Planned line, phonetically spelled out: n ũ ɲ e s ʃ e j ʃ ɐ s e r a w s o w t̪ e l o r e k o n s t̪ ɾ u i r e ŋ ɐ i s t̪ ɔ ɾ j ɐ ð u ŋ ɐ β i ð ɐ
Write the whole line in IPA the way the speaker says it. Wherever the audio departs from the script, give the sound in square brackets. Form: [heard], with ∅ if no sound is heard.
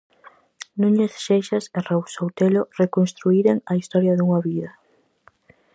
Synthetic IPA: n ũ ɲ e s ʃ e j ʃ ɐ s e r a w s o w t̪ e l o r e k o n s t̪ ɾ u i [ɾ] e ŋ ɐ i s t̪ ɔ ɾ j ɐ ð u ŋ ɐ β i ð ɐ